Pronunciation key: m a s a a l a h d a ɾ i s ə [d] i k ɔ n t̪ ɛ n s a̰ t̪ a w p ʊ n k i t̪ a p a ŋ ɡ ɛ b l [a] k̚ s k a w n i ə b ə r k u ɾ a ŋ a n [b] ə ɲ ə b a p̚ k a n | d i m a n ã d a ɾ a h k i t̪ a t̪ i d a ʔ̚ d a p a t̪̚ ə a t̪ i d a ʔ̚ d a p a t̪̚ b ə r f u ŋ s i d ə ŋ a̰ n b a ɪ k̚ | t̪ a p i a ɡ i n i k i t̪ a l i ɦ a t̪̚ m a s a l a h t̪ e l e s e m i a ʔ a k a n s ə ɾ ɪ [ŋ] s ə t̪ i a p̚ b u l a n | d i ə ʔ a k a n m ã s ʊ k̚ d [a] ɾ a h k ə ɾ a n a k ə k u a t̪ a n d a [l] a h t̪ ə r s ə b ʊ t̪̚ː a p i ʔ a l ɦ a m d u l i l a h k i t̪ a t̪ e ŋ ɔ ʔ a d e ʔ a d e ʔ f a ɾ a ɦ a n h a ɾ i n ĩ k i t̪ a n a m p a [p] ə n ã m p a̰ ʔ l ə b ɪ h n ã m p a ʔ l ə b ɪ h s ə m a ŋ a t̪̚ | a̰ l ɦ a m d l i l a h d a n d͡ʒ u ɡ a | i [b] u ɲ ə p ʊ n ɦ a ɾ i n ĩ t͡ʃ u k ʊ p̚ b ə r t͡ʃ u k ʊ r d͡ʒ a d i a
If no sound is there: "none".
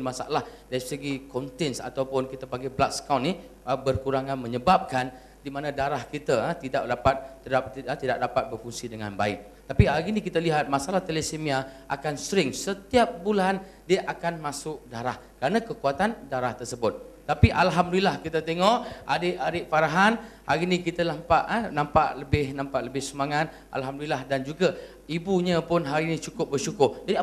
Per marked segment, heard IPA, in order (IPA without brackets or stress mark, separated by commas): ɡ, a, m, ŋ, a, ɾ, ʔ, b